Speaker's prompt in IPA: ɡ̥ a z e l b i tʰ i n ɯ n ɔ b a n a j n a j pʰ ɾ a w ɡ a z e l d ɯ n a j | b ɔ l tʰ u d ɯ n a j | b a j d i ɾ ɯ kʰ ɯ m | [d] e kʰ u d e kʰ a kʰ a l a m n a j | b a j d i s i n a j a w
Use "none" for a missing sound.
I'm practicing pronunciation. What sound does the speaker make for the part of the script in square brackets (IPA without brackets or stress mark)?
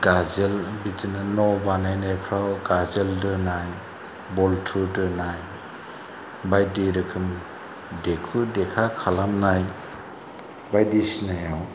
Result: d